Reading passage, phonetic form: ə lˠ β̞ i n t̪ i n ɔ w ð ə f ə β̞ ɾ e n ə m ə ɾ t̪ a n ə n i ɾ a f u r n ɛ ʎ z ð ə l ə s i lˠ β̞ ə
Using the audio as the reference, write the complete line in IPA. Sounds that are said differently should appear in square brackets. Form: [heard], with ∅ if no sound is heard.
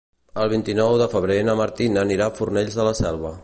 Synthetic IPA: ə lˠ β̞ i n t̪ i n ɔ w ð ə f ə β̞ ɾ e n ə m ə ɾ t̪ [i] n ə n i ɾ a f u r n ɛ ʎ z ð ə l ə s [ɛ] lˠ β̞ ə

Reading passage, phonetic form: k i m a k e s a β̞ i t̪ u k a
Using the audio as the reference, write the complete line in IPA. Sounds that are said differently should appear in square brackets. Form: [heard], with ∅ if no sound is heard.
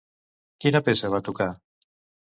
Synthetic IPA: k i [n] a [p] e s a β̞ [a] t̪ u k a

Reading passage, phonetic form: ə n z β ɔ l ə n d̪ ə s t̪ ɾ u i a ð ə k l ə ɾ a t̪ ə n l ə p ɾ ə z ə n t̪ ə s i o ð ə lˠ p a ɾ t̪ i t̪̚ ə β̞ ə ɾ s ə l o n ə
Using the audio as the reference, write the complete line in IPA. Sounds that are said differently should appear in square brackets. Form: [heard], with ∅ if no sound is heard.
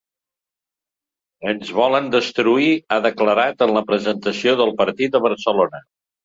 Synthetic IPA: ə n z β ɔ l ə n d̪ ə s t̪ ɾ u i a ð ə k l ə ɾ a t̪ ə n l ə p ɾ ə z ə n t̪ ə s i o ð ə lˠ p [ə] ɾ t̪ i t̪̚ ə β̞ ə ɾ s ə l o n ə

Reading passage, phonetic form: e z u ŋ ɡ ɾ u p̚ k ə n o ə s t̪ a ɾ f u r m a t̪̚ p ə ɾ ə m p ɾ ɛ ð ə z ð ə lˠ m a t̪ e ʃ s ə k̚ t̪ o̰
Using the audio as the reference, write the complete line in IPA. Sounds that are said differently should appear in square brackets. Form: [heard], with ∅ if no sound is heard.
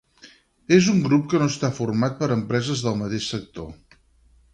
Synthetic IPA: e z u ŋ ɡ ɾ u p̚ k ə n o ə s t̪ a [∅] f u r m a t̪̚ p ə ɾ ə m p ɾ ɛ [z] ə z ð ə lˠ m [ə] t̪ e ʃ s ə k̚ t̪ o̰

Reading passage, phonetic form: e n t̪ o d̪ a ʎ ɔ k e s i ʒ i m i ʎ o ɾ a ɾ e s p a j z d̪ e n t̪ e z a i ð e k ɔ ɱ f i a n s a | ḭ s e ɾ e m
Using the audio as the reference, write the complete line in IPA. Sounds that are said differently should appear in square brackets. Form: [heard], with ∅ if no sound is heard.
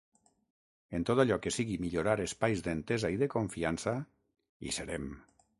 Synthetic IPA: e n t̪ o [t̪] a ʎ ɔ k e s i [ɣ] i m i ʎ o ɾ a ɾ e s p a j z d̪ e n t̪ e z a i ð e k [o] ɱ f i a n s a | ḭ s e ɾ e m

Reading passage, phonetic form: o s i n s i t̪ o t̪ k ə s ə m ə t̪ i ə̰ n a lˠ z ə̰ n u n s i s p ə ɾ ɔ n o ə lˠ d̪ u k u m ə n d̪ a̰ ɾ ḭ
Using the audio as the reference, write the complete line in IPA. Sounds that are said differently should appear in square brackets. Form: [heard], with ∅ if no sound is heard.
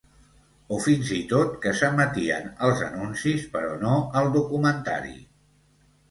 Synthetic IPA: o [f] i n [z] i t̪ o t̪ k ə s ə m ə t̪ i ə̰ n [ə] lˠ z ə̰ n u n s i s p ə ɾ ɔ n o ə lˠ d̪ u k u m ə n [t̪] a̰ ɾ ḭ

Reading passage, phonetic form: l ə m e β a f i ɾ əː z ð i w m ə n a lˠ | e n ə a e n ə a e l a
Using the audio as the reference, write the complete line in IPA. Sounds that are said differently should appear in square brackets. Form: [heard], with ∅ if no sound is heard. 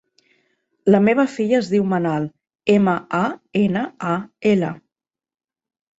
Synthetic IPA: l ə m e β [ə] f i [ʎ] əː z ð i w m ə n a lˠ | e [m] ə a e n ə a e l [ə]

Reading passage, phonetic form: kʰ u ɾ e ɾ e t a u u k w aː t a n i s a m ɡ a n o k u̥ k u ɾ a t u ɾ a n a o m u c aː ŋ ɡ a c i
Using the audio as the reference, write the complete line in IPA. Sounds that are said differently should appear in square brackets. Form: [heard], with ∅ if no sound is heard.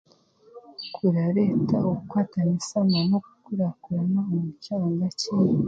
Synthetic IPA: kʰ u ɾ [a] ɾ e t a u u k w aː t a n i s a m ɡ a n o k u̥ k u ɾ a [k] u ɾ a n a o m u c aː ŋ ɡ a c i

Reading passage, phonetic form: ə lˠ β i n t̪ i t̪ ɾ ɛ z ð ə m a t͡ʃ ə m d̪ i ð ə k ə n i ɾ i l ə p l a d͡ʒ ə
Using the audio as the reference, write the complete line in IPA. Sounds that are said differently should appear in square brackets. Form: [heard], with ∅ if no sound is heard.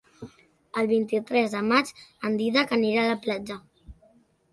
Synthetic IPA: ə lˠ β i n t̪ i t̪ ɾ ɛ z ð ə m a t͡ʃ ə [n] d̪ i ð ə k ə n i ɾ [a] l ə p l a d͡ʒ ə

